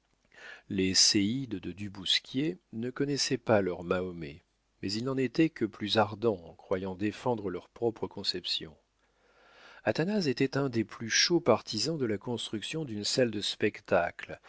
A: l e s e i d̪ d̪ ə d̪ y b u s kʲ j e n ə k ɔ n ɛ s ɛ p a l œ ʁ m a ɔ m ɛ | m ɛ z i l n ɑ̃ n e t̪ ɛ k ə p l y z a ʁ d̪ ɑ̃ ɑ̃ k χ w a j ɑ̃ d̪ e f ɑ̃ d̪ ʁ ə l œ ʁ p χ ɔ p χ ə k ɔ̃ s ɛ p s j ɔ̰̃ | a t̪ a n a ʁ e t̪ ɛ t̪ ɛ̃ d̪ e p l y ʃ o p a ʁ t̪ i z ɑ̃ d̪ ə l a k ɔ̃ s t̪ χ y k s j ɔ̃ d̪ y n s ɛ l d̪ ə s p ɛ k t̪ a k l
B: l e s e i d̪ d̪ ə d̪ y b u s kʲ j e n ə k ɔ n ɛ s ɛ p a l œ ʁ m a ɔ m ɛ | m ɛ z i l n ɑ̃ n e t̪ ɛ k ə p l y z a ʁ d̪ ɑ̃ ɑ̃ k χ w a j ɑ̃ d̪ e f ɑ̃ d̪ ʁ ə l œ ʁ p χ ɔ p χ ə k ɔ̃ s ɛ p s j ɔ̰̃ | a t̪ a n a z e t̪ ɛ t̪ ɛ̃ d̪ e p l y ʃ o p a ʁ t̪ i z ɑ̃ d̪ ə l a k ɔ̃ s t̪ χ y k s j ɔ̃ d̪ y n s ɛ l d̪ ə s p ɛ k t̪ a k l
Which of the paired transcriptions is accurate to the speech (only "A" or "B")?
B